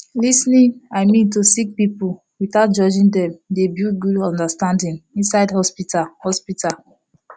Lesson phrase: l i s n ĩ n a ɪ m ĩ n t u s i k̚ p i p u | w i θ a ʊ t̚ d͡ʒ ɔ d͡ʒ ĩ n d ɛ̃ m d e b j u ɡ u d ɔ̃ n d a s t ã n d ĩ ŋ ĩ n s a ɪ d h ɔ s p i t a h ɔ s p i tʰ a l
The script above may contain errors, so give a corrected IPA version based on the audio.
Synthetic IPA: l i s n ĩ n a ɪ m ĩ n t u s i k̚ p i p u | w i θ a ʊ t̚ d͡ʒ ɔ d͡ʒ ĩ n d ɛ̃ m d e b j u ɡ u d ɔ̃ n d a s t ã n d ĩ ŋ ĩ n s a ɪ d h ɔ s p i t a h ɔ s p i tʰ a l